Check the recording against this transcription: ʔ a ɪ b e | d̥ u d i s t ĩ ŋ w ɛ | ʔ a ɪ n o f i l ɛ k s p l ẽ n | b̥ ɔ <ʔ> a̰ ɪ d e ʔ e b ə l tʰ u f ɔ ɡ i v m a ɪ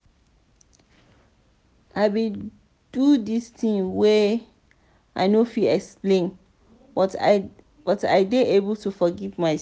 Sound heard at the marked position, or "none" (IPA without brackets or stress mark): t